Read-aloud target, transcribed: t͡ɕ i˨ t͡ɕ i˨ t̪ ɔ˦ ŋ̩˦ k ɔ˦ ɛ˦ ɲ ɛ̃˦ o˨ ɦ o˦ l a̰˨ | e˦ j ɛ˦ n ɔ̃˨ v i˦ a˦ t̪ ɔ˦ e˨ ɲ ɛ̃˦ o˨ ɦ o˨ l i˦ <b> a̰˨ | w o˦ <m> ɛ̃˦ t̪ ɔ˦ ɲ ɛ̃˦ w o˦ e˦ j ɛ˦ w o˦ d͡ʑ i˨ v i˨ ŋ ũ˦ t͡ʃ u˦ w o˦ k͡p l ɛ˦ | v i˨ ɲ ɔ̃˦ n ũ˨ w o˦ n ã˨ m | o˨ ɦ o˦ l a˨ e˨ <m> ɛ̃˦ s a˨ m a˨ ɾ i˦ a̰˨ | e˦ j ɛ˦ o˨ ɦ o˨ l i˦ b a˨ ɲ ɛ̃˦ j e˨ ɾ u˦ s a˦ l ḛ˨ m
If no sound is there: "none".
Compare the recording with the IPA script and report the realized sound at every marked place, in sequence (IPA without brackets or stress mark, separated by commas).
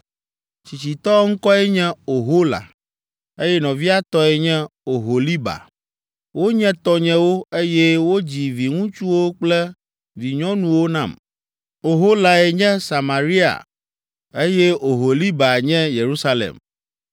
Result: b, ɲ, ɲ